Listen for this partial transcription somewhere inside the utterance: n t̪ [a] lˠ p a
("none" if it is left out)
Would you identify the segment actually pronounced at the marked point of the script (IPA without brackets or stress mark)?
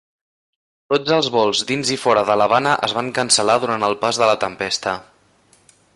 ə